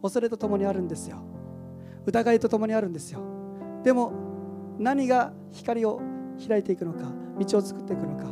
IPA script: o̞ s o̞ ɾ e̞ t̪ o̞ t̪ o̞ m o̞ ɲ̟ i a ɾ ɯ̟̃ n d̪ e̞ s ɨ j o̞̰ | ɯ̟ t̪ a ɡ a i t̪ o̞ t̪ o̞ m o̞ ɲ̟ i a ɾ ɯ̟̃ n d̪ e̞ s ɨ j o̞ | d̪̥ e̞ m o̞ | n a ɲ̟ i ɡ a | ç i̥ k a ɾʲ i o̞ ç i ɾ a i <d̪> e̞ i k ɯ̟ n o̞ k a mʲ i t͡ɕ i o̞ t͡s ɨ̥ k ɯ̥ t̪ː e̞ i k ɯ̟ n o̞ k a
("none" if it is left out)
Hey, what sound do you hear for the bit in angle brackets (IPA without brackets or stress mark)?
t̪